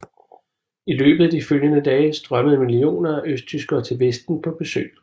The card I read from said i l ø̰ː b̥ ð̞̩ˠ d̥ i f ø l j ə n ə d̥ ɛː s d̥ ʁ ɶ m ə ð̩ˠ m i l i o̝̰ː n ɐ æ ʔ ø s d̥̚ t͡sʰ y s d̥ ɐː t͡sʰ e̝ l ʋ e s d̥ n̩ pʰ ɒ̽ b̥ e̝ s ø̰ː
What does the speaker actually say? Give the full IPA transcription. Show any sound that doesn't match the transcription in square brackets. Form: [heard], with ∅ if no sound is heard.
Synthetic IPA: i l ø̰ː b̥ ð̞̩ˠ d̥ i f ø l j ə n ə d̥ ɛː s d̥ ʁ ɶ m ə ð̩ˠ m i l i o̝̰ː n ɐ æ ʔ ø s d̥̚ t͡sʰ y s [ɡ̥] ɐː t͡sʰ e̝ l ʋ e s d̥ n̩ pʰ ɒ̽ b̥ e̝ s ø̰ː